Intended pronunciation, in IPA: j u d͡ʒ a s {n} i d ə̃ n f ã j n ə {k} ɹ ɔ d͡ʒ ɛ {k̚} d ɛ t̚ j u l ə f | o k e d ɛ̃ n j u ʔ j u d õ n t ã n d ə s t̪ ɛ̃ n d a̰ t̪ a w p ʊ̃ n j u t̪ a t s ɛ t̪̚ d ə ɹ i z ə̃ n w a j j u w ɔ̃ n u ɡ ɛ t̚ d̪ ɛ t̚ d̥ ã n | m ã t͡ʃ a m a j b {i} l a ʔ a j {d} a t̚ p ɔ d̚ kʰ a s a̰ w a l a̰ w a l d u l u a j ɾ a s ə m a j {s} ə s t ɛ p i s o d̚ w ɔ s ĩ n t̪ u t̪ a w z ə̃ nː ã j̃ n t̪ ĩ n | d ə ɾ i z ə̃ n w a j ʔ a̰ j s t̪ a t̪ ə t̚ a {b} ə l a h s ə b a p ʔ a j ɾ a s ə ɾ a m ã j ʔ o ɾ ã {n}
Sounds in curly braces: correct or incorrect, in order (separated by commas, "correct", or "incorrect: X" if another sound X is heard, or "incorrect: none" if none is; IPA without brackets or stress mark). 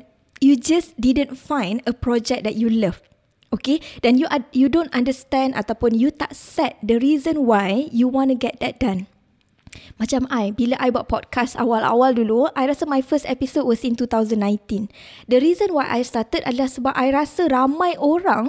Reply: incorrect: d, incorrect: p, correct, correct, incorrect: b, incorrect: f, incorrect: d, incorrect: ŋ